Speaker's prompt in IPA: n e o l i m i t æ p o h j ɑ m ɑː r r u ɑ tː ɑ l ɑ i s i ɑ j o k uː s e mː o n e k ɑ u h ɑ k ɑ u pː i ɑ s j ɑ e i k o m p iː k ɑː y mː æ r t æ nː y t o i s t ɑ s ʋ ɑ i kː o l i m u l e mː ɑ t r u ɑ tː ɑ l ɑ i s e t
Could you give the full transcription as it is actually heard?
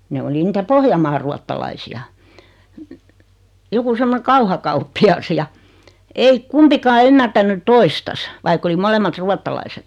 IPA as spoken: n e o l i n i t æ p o h j ɑ m ɑː r r u ɑ tː ɑ l ɑ i s i ɑ j o k u s e mː o n e k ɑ u h ɑ k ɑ u pː i ɑ s j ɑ e i k u m p i k ɑː y mː æ r t æ nː y t o i s t ɑ s ʋ ɑ i kː o l i m o l e mː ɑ t r u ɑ tː ɑ l ɑ i s e t